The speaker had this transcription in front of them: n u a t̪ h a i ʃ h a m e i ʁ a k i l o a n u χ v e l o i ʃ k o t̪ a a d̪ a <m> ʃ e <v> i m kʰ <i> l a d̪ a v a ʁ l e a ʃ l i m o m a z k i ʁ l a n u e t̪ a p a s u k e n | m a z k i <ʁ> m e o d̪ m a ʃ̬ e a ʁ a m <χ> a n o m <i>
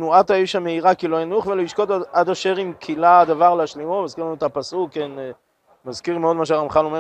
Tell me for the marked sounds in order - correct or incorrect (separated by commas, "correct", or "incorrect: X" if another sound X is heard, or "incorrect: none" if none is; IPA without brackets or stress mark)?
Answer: incorrect: none, incorrect: ʁ, correct, correct, correct, incorrect: e